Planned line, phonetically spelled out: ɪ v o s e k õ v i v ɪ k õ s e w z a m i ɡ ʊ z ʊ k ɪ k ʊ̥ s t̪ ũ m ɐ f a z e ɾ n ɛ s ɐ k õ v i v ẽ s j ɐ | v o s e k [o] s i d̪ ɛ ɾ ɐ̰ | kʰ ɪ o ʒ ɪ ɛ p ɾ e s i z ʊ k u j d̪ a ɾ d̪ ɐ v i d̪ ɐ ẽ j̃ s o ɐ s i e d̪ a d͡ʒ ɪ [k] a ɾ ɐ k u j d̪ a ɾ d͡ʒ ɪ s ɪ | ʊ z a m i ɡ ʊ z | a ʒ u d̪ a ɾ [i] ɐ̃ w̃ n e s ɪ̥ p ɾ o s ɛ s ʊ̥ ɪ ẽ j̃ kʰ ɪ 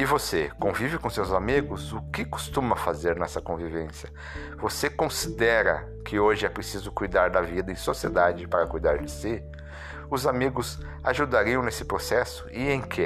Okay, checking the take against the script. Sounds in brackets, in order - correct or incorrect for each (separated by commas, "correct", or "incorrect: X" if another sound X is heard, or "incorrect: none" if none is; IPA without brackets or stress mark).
incorrect: õ, incorrect: p, correct